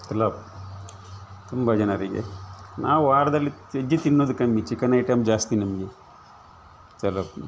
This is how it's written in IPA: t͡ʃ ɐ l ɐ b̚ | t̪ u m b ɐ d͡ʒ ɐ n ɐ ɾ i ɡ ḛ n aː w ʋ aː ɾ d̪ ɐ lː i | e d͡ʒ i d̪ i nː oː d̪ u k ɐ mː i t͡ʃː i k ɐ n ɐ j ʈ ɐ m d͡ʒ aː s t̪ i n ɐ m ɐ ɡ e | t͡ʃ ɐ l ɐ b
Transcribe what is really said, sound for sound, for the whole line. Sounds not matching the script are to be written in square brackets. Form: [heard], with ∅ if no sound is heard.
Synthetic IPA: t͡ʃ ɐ l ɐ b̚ | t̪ u m b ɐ d͡ʒ ɐ n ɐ ɾ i ɡ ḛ n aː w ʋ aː ɾ d̪ ɐ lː i | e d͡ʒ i [t̪] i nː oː d̪ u k ɐ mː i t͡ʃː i k ɐ n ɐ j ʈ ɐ m d͡ʒ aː s t̪ i n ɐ m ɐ ɡ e | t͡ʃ ɐ l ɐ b